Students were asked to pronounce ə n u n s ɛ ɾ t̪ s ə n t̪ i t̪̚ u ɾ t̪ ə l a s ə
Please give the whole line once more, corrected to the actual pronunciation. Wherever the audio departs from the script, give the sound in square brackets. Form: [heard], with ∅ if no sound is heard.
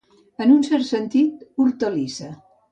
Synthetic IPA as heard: ə n u n s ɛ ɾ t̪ s ə n t̪ i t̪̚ u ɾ t̪ ə l [i] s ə